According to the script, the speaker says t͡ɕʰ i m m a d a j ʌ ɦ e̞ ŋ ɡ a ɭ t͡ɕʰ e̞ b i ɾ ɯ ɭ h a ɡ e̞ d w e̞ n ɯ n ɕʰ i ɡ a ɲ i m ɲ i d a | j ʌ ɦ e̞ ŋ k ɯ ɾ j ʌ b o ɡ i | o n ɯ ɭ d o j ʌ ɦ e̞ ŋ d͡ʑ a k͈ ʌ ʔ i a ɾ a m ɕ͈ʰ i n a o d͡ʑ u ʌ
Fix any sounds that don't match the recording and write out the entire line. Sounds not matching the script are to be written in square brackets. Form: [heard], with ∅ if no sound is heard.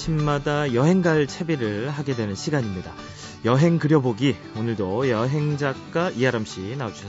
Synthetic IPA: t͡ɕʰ i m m a d a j ʌ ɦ e̞ ŋ ɡ a ɭ t͡ɕʰ e̞ b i ɾ ɯ ɭ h a ɡ e̞ d w e̞ n ɯ n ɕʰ i ɡ a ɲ i m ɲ i d a | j ʌ ɦ e̞ ŋ k ɯ ɾ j ʌ b o ɡ i | o n ɯ ɭ d o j ʌ ɦ e̞ ŋ d͡ʑ a k͈ [a] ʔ i a ɾ a m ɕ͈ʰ i n a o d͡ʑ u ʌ